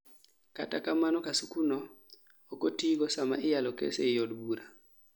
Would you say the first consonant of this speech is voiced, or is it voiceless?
voiceless